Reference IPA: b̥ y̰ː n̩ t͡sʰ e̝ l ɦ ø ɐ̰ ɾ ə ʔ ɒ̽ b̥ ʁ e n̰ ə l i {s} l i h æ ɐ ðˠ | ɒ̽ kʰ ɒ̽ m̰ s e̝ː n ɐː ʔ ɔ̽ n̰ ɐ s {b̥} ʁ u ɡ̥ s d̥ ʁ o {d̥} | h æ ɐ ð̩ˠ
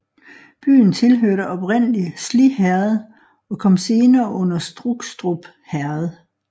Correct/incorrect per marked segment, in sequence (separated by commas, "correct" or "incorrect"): correct, incorrect, incorrect